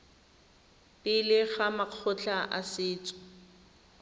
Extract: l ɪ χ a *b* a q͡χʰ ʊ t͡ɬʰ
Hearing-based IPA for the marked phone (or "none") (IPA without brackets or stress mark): m